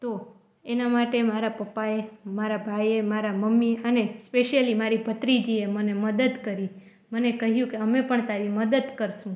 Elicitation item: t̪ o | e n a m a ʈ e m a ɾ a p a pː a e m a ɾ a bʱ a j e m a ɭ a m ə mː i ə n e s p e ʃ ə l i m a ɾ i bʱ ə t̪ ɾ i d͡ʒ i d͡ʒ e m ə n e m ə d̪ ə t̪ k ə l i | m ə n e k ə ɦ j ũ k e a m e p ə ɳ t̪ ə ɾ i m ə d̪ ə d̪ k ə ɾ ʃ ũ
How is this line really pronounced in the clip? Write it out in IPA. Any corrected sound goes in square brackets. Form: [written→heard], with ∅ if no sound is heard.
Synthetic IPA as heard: t̪ o | e n a m a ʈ e m a ɾ a p [a→ə] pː a e m a ɾ a bʱ a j e m a [ɭ→ɾ] a m ə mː i ə n e s p e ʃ ə l i m a ɾ i bʱ ə t̪ ɾ i d͡ʒ i [d͡ʒ→∅] e m ə n e m ə d̪ ə [t̪→d̪] k ə [l→ɾ] i | m ə n e k ə ɦ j ũ k e [a→ə] m e p ə ɳ t̪ [ə→a] ɾ i m ə d̪ ə d̪ k ə ɾ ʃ ũ